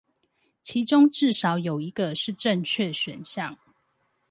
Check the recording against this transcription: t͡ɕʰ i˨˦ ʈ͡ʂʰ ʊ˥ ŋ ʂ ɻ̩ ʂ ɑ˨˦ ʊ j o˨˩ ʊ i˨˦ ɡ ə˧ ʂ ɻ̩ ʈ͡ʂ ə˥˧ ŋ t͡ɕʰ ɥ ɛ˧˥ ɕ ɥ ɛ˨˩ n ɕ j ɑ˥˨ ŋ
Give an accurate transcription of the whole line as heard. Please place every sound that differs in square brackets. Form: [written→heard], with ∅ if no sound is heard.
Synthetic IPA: t͡ɕʰ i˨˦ [ʈ͡ʂʰ→ʈ͡ʂ] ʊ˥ ŋ [ʂ→ʈ͡ʂ] ɻ̩ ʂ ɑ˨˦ ʊ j o˨˩ ʊ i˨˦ ɡ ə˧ ʂ ɻ̩ ʈ͡ʂ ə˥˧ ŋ t͡ɕʰ ɥ [ɛ˧˥→ɛ˥˨] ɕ ɥ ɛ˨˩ n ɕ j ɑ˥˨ ŋ